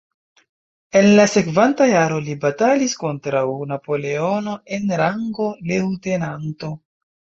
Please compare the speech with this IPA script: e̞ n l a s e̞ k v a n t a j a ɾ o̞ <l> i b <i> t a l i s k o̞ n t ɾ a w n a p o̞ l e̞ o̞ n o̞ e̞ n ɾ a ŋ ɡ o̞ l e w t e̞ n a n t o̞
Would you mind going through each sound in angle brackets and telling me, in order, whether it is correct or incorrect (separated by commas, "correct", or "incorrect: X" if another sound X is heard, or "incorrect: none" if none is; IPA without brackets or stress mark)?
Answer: correct, incorrect: a